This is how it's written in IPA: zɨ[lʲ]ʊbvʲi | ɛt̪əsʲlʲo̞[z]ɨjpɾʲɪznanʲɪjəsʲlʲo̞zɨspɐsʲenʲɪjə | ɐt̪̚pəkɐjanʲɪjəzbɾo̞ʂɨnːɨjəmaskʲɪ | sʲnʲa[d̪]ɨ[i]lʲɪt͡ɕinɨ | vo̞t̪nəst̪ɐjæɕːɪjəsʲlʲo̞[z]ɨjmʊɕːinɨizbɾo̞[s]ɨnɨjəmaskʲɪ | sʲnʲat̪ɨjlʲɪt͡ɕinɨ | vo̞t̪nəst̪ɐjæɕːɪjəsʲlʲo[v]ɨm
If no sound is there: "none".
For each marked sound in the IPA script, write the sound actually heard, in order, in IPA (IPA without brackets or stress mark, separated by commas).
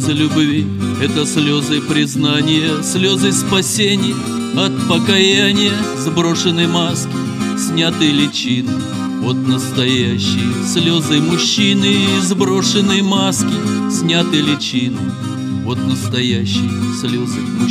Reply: lʲ, z, t̪, j, z, ʂ, z